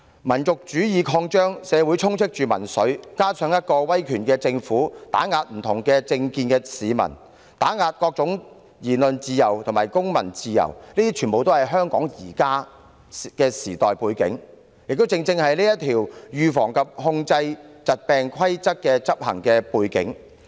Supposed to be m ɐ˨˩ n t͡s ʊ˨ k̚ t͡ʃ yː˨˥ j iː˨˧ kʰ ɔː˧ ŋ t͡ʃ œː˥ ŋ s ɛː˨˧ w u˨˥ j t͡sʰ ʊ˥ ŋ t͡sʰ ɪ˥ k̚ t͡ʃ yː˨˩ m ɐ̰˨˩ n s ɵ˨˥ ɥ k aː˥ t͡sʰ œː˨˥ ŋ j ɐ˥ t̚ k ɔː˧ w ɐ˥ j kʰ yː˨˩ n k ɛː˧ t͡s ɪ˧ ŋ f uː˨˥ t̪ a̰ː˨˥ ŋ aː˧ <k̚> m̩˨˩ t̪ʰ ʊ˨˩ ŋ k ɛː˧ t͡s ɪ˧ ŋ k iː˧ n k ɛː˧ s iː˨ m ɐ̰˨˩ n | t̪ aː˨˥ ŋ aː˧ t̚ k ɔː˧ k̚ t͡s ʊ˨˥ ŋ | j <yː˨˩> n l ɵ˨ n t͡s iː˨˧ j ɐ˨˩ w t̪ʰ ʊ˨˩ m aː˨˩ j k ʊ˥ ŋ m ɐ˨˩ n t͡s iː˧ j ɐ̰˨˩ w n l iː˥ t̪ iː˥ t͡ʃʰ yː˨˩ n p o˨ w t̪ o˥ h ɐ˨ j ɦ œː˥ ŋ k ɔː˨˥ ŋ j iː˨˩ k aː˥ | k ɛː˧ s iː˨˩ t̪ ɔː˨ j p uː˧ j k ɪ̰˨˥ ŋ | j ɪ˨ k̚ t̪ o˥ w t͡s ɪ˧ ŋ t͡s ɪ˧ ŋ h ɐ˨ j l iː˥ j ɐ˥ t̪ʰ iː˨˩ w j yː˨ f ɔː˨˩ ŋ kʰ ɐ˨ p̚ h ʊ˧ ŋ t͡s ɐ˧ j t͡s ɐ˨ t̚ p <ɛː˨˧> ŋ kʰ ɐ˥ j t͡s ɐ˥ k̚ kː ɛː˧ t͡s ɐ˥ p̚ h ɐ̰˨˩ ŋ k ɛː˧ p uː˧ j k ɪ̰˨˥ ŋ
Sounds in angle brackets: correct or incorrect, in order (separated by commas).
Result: incorrect, incorrect, correct